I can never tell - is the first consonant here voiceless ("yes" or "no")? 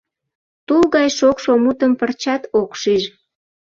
yes